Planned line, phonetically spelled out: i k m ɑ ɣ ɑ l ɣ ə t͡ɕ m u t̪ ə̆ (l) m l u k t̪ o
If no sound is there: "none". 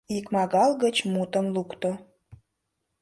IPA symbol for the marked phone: none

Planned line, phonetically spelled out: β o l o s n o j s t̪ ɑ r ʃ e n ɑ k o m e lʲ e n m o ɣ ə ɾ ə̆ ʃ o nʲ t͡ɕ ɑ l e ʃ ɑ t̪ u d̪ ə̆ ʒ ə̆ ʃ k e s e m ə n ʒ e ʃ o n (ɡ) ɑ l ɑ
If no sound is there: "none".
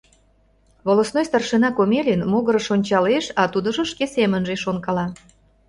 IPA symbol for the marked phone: k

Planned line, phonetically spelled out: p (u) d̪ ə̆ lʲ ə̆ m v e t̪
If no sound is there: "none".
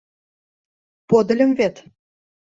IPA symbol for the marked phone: o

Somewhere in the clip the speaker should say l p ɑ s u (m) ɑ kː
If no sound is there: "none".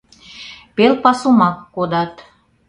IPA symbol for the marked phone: m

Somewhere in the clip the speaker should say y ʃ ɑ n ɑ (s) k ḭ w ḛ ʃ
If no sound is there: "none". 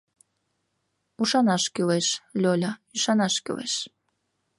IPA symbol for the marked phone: ʃ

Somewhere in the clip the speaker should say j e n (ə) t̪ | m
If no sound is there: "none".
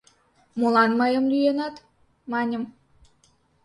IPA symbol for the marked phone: ɑ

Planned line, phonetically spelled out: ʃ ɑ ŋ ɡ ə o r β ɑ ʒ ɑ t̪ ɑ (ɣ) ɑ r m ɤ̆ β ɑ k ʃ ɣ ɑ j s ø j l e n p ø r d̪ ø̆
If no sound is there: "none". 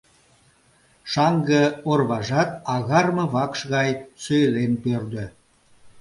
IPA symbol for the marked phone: ɣ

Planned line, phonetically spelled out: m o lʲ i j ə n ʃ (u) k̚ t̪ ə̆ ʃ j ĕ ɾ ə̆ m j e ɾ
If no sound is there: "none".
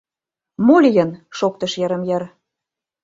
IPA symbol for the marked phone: o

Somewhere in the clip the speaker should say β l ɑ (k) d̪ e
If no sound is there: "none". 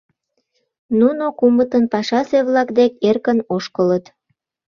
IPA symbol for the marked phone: k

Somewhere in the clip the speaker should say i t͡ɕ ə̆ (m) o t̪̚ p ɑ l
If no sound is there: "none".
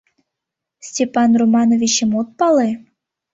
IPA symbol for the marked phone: m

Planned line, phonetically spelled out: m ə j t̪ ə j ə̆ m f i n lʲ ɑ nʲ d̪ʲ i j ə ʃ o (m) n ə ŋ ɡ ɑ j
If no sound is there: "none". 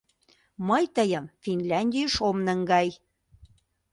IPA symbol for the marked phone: m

